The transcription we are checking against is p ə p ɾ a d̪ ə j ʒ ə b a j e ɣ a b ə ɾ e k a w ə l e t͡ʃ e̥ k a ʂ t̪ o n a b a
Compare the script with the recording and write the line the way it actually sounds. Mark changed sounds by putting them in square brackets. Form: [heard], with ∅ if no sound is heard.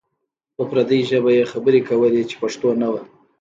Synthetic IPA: p ə p ɾ a d̪ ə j ʒ ə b a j e [x] a b ə ɾ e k a w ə l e t͡ʃ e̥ [p] a ʂ t̪ o n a [w] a